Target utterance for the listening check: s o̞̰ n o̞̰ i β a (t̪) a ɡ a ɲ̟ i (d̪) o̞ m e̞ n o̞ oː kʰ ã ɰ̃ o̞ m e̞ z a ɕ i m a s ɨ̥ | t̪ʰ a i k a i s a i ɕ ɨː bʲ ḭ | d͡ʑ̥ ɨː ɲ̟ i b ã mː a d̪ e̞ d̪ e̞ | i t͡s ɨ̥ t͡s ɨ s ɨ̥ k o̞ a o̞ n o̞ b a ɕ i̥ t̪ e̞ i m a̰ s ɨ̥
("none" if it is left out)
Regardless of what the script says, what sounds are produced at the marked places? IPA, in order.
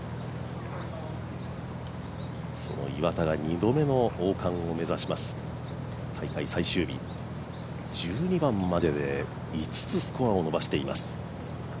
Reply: t̪, d̪

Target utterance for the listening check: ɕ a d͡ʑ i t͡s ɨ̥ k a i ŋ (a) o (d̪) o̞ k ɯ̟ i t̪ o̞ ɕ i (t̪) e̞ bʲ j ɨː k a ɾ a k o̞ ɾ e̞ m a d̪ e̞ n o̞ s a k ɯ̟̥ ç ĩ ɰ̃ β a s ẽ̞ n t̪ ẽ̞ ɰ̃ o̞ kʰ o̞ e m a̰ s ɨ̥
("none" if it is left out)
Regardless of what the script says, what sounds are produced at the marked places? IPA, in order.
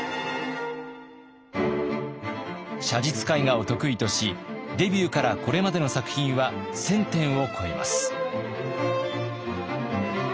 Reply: a, t̪, d̪

